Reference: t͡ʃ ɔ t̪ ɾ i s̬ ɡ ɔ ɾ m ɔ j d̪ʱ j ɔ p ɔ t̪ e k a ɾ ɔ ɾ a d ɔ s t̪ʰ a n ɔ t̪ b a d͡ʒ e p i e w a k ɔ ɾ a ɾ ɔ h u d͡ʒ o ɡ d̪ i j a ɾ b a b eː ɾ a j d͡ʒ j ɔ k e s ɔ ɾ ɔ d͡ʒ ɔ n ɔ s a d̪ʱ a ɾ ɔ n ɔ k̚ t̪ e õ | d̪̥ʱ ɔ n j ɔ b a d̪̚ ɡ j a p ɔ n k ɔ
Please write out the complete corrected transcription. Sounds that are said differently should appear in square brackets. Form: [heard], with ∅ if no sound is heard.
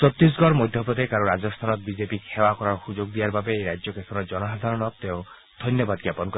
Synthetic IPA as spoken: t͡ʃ ɔ t̪ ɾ i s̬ ɡ ɔ ɾ m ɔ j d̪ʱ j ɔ p ɔ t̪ e k a ɾ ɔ ɾ a [d͡ʒ] ɔ s t̪ʰ a n ɔ t̪ b [i] d͡ʒ e p i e w a k ɔ ɾ a ɾ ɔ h u d͡ʒ o ɡ d̪ i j a ɾ b a b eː ɾ a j d͡ʒ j ɔ k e s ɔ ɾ ɔ d͡ʒ ɔ n ɔ s a d̪ʱ a ɾ ɔ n ɔ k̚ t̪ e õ | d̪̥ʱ ɔ n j ɔ b a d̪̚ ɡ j a p ɔ n k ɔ

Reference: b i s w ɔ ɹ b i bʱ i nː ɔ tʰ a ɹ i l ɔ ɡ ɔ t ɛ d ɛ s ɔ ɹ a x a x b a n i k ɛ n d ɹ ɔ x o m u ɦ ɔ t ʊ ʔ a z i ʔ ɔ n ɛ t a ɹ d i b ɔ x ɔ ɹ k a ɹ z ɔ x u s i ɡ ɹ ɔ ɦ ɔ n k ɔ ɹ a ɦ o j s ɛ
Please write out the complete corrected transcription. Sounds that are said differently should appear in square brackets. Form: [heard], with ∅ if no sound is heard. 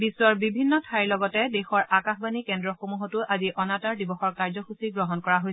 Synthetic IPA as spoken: b i s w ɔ ɹ b i bʱ i nː ɔ tʰ a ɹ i l ɔ ɡ ɔ t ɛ d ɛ [x] ɔ ɹ a [k] a x b a n i k ɛ n d ɹ ɔ x o m u ɦ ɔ t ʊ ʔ a z i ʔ ɔ n [a] t a ɹ d i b ɔ x ɔ ɹ k a ɹ z ɔ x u s i ɡ ɹ ɔ ɦ ɔ n k ɔ ɹ a ɦ o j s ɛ

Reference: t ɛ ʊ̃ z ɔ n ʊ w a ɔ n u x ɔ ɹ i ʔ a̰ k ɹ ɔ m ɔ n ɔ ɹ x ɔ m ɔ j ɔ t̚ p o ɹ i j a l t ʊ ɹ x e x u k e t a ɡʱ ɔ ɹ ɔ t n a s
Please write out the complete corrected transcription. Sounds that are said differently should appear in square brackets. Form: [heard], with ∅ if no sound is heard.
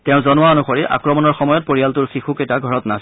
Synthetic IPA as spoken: t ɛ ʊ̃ z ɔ n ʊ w a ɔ n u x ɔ ɹ i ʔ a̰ k ɹ ɔ m ɔ n ɔ ɹ x ɔ m ɔ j ɔ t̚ p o ɹ i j a l t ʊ ɹ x [i] x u k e t a ɡʱ ɔ ɹ ɔ t n a s

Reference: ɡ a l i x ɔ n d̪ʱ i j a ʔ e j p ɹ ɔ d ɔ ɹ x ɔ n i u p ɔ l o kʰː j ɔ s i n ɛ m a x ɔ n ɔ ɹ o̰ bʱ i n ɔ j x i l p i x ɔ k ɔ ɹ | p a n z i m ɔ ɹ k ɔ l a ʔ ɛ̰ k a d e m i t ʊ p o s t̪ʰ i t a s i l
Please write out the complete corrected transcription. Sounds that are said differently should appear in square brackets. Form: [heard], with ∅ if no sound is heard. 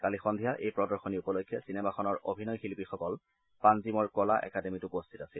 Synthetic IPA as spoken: [k] a l i x ɔ n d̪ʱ i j a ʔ e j p ɹ ɔ d ɔ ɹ x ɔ n i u p ɔ l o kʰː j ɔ s i n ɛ m a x ɔ n ɔ ɹ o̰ bʱ i n ɔ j x i l p i x ɔ k ɔ [l] | p a n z i m ɔ ɹ k ɔ l a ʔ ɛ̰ k a d e m i t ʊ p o s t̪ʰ i t a s i l

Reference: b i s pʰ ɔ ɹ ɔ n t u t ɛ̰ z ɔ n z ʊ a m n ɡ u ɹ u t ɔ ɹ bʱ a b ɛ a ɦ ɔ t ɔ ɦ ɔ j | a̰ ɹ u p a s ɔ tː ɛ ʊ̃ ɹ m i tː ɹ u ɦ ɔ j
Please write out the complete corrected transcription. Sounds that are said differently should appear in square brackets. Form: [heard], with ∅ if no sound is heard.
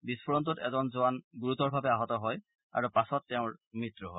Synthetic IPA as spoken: b i s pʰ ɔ ɹ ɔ n t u t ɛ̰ z ɔ n z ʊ a [∅] n ɡ u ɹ u t ɔ ɹ bʱ a b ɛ a ɦ ɔ t ɔ ɦ ɔ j | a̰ ɹ u p a s ɔ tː ɛ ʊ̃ ɹ m i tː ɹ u ɦ ɔ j

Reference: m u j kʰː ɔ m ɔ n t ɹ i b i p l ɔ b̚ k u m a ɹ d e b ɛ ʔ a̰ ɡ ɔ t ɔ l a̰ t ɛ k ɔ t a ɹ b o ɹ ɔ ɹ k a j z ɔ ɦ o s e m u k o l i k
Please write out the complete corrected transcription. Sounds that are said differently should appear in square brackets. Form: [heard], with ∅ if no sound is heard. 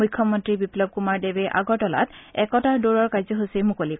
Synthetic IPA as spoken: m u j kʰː ɔ m ɔ n t ɹ i b i p l ɔ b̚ k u m a ɹ d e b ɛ ʔ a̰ ɡ ɔ t ɔ l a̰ t ɛ k ɔ t a ɹ [d] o ɹ ɔ ɹ k a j z ɔ ɦ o s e m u k o l i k

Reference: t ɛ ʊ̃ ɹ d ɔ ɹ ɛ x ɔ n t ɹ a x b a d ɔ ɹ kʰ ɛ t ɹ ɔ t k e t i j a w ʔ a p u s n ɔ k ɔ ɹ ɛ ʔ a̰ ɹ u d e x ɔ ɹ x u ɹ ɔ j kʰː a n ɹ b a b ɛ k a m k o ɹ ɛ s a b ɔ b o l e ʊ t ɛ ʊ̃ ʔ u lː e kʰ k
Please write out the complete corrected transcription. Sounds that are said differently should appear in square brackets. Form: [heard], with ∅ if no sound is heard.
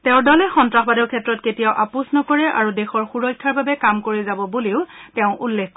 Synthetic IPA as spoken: t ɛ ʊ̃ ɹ d ɔ [l] ɛ x ɔ n t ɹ a x b a d ɔ ɹ kʰ ɛ t ɹ ɔ t k e t i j a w ʔ a p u s n ɔ k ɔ ɹ ɛ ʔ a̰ ɹ u d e x ɔ ɹ x u ɹ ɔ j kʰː a [∅] ɹ b a b ɛ k a m k o ɹ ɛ [z] a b ɔ b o l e ʊ t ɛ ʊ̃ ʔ u lː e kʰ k

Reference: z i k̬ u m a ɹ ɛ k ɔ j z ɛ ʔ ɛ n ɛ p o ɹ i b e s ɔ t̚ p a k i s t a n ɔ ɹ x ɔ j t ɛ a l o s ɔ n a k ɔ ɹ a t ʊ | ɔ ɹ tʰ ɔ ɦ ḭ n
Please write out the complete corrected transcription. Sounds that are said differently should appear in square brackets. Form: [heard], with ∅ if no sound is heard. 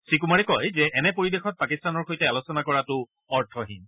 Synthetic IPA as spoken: [s] i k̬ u m a ɹ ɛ k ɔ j z ɛ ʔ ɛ n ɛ p o ɹ i b e [x] ɔ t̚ p a k i s t a n ɔ ɹ x [o] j t ɛ a l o s ɔ n a k ɔ ɹ a t ʊ | ɔ ɹ tʰ ɔ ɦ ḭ n

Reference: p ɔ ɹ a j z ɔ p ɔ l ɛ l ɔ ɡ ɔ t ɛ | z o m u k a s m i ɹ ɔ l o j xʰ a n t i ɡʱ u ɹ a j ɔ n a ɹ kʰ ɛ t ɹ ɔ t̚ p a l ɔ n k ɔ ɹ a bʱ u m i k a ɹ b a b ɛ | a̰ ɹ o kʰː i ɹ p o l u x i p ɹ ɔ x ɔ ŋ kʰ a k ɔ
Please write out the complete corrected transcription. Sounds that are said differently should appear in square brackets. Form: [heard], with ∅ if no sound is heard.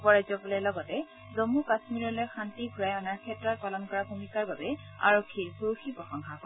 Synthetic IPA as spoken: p ɔ ɹ a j z ɔ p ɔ l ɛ l ɔ ɡ ɔ t ɛ | z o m u k a s m i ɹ ɔ l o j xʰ a n t i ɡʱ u ɹ a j ɔ n a ɹ kʰ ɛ t ɹ ɔ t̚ p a l ɔ n k ɔ ɹ a bʱ u m i k a ɹ b a b ɛ | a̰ ɹ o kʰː i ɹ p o [ɹ] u x i p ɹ ɔ x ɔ ŋ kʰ a k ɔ

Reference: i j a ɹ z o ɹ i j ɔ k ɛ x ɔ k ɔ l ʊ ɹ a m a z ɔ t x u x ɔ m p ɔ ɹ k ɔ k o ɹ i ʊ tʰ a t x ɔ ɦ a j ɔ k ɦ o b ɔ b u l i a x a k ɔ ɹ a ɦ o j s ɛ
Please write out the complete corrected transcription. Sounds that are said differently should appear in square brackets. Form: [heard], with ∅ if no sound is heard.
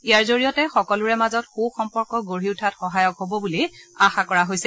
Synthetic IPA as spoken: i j a ɹ z o ɹ i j ɔ [t] ɛ x ɔ k ɔ l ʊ ɹ [ɛ] m a z ɔ t x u x ɔ m p ɔ ɹ k ɔ [ɡ] o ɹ i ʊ tʰ a t x ɔ ɦ a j ɔ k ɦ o b ɔ b u l i a x a k ɔ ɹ a ɦ o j s ɛ

